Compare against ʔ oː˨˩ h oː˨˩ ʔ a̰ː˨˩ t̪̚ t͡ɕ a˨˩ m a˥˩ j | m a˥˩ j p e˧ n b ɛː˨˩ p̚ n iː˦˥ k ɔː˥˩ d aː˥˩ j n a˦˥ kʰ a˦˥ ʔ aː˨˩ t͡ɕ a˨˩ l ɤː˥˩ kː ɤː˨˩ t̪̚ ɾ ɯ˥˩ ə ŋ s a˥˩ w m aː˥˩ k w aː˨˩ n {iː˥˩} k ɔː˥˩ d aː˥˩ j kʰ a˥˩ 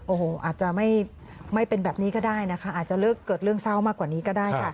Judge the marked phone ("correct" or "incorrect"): incorrect